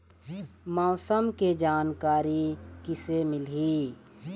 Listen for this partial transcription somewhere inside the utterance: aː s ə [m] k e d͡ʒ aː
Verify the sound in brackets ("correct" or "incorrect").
correct